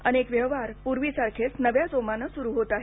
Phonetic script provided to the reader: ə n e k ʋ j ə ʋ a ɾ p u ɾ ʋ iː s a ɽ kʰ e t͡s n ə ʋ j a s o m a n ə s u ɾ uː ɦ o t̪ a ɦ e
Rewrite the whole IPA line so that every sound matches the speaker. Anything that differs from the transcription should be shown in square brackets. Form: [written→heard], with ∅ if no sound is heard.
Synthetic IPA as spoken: ə n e k ʋ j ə ʋ a ɾ p u ɾ ʋ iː s a [ɽ→ɾ] kʰ e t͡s n ə ʋ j a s o m a n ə s u ɾ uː ɦ o t̪ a ɦ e